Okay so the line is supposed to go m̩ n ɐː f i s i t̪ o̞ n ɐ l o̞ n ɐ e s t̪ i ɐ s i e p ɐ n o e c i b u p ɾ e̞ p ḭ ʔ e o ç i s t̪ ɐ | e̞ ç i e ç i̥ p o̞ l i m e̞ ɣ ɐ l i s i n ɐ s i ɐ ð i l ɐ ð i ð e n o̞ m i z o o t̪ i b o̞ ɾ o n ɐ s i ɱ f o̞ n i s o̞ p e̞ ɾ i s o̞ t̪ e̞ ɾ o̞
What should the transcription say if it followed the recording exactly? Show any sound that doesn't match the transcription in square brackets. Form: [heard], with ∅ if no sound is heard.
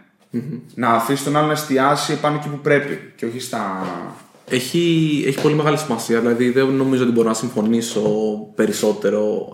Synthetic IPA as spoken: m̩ n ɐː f i s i t̪ o̞ n ɐ l o̞ n ɐ e s t̪ i ɐ s i e p ɐ n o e c i [p] u p ɾ e̞ p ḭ [c] e o ç i s t̪ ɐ | e̞ ç i e ç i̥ p o̞ l i m e̞ ɣ ɐ l i s i [m] ɐ s i ɐ ð i l ɐ ð i ð e n o̞ m i z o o t̪ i b o̞ ɾ o n ɐ s i ɱ f o̞ n i s o̞ p e̞ ɾ i s o̞ t̪ e̞ ɾ o̞